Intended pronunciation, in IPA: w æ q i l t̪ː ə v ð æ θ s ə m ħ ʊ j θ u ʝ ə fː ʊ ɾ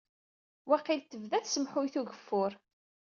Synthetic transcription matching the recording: w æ q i l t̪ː ə v ð æ θ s ə m ħ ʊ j θ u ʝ ə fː ʊ ɾ